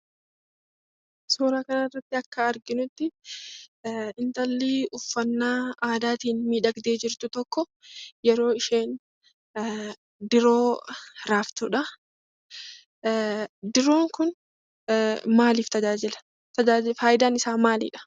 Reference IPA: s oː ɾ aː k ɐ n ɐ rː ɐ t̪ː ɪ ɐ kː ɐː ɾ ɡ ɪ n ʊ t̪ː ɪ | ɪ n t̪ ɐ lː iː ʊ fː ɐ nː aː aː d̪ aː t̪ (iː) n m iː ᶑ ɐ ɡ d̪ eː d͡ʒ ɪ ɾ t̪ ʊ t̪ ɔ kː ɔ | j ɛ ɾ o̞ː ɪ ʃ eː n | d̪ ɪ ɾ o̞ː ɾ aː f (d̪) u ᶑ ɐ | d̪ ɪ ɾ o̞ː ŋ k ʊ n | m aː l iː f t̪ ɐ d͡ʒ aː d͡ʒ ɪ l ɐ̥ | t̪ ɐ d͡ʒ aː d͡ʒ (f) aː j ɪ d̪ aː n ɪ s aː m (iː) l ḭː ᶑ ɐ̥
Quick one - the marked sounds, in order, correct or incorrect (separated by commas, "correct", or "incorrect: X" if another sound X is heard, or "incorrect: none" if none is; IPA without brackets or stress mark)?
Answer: correct, incorrect: t̪, correct, incorrect: aː